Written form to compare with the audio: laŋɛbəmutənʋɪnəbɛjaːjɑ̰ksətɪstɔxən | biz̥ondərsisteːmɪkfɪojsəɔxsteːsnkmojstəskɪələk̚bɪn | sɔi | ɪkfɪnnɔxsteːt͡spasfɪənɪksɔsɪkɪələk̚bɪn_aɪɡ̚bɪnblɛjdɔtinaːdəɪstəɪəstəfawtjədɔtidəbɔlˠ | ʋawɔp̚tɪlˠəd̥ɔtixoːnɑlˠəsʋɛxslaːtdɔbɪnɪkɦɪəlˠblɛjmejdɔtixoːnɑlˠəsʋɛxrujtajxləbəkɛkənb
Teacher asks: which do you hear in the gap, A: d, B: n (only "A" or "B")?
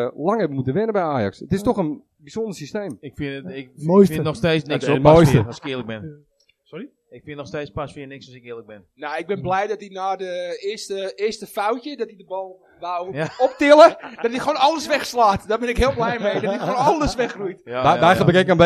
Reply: B